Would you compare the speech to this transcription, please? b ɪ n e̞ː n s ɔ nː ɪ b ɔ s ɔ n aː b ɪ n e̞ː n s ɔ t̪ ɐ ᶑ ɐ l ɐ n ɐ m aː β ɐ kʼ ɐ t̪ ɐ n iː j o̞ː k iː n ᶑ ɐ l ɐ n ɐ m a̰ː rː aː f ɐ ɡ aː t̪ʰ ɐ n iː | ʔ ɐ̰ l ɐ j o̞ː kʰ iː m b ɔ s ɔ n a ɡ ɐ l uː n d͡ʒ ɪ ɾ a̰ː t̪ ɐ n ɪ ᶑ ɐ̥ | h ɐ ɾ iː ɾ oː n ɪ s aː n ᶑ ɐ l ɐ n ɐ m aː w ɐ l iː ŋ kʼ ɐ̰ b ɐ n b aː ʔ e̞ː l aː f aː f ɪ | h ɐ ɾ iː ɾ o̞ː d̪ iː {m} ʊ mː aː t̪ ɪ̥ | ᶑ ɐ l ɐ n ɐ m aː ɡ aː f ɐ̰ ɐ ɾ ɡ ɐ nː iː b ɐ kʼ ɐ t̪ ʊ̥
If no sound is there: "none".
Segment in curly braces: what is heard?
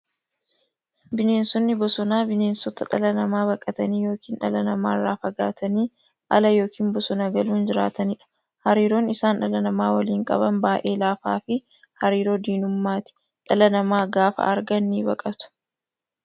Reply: n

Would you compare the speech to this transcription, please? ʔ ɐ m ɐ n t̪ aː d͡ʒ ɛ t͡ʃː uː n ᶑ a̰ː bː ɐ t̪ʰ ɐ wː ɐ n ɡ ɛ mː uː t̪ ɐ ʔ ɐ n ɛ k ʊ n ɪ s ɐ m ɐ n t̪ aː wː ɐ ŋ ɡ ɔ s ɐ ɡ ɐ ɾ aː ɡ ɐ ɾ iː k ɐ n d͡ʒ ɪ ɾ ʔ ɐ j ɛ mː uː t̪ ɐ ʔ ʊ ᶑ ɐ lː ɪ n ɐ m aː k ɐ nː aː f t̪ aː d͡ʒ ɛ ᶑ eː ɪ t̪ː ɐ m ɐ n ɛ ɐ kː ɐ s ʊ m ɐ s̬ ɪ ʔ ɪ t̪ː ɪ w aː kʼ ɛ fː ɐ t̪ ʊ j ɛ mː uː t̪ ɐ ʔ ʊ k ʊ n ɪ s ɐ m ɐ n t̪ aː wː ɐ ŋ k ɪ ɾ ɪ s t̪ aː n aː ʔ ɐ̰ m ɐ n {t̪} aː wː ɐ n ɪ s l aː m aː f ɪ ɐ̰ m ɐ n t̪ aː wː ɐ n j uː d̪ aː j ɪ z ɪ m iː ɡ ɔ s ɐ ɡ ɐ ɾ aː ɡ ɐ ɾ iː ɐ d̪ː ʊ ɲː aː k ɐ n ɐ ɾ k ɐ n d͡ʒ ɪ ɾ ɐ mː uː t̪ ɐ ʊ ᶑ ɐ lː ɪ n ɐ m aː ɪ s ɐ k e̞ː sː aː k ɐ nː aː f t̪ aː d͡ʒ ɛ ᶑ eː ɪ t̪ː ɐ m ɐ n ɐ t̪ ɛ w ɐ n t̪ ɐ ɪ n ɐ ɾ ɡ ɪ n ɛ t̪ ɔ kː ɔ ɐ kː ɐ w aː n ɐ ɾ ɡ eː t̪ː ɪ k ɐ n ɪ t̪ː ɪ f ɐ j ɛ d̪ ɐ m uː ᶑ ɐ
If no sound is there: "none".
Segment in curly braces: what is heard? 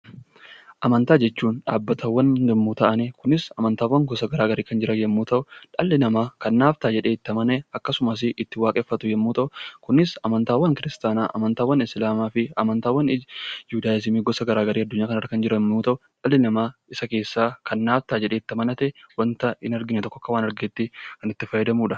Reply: t̪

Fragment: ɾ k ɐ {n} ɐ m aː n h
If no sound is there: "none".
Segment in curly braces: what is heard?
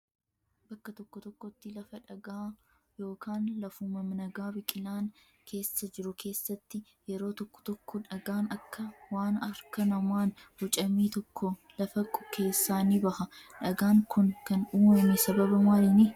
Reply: n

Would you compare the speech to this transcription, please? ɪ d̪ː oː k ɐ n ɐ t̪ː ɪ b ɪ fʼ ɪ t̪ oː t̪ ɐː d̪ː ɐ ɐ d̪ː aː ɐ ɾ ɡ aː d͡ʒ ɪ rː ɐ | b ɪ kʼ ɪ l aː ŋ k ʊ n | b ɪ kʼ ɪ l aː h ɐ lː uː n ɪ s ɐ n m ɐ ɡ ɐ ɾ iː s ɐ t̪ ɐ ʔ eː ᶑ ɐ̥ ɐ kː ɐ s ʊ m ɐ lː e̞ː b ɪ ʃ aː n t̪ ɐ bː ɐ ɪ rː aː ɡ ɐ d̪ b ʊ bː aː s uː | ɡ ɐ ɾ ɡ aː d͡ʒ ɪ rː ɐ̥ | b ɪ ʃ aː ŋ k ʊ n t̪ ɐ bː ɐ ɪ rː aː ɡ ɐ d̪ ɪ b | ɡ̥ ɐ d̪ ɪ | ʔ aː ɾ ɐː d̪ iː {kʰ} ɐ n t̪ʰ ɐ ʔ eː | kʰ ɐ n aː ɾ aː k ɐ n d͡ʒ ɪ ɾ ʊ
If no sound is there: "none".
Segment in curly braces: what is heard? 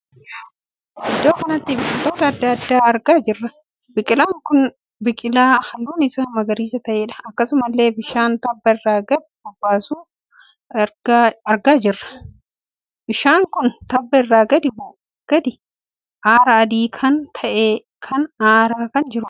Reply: kʰ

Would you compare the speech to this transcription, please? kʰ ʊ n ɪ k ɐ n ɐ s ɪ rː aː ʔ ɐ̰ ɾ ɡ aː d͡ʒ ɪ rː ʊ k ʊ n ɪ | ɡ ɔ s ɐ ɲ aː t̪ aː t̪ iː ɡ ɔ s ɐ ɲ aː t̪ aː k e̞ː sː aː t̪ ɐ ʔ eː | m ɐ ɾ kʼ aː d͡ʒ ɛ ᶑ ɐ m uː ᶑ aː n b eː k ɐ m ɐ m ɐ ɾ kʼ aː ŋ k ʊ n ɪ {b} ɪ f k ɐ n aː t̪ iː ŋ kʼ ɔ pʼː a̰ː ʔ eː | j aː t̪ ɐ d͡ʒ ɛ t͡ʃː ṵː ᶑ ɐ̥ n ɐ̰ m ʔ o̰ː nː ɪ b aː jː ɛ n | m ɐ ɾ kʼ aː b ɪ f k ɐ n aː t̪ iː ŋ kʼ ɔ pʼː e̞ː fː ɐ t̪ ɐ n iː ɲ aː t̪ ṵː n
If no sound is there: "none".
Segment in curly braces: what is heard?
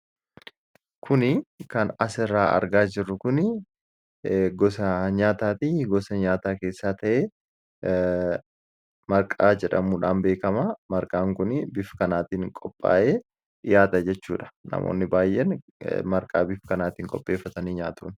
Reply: b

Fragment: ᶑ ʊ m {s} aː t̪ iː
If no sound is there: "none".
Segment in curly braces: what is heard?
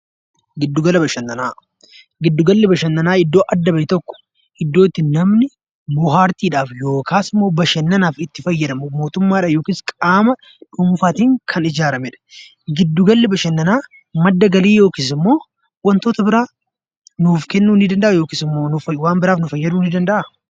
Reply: f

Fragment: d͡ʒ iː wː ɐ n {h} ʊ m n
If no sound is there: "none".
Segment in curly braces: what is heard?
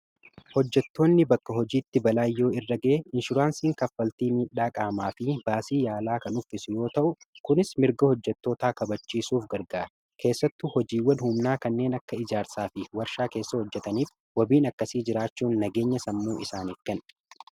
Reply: h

